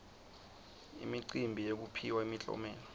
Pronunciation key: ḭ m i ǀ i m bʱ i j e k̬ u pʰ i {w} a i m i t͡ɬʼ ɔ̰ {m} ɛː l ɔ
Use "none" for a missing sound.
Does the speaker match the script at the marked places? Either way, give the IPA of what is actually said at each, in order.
w, m

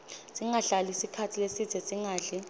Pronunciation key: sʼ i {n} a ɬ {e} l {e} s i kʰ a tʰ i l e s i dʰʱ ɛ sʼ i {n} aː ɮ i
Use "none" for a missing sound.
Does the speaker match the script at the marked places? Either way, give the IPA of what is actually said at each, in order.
ŋ, a, i, ŋ

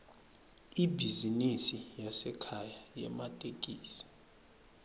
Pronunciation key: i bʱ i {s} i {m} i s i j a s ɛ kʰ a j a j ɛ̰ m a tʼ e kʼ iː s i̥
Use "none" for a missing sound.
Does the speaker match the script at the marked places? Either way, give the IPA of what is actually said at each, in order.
z, n

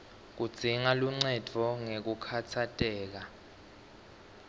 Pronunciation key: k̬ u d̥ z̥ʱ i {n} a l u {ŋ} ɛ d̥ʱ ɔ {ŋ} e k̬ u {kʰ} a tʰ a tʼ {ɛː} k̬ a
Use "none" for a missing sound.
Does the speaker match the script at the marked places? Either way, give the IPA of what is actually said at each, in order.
ŋ, ŋ͡ǀ, ŋ, kʰ, ɛː

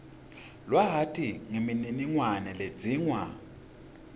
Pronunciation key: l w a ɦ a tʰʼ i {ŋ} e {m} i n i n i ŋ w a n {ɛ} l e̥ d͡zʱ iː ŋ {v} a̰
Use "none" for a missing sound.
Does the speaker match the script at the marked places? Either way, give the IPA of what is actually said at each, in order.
ŋ, m, ɛ, w

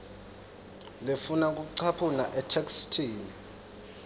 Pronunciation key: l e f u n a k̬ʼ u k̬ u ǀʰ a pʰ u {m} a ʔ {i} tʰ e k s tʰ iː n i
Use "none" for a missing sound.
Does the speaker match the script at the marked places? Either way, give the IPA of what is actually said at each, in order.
n, ɛ

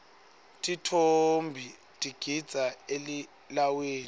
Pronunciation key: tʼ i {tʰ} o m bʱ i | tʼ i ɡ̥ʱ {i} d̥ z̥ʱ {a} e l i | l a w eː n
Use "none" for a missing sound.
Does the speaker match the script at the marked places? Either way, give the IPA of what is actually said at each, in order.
tʰ, i, a

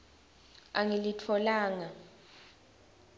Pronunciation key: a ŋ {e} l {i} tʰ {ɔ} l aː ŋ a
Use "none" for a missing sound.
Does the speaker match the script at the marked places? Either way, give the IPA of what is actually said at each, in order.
i, i, ɔ

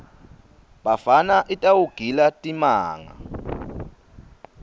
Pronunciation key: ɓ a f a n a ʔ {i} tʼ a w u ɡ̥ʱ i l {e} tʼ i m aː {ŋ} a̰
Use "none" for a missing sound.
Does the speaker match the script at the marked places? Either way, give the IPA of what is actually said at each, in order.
i, a, ŋ

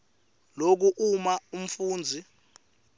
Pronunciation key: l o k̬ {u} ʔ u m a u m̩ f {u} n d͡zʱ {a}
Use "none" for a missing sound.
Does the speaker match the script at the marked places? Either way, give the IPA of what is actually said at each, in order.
u, uː, i

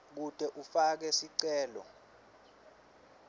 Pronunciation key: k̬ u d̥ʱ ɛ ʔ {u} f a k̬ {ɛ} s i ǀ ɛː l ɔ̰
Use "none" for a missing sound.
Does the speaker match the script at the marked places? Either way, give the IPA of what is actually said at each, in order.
u, ɛ

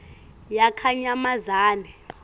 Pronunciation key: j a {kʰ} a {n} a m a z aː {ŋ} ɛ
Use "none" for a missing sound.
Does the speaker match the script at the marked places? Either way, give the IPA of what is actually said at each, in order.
kʰ, ɲ, n

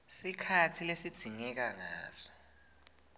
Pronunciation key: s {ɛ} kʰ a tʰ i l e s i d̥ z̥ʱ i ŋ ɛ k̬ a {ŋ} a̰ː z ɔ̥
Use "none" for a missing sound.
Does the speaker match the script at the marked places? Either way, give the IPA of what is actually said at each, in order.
i, ŋ

